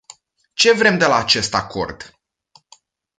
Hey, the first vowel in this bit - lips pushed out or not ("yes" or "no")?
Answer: no